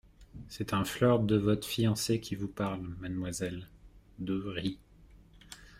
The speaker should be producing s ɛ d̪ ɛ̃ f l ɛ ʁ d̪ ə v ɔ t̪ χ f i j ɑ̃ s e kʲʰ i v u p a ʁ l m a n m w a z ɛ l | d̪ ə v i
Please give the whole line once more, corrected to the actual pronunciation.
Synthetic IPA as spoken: s ɛ t̪ ɛ̃ f l œ ʁ d̪ ə v ɔ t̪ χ f i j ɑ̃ s e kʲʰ i v u p a ʁ l m a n m w a z ɛ l | d̪ ə ʁ i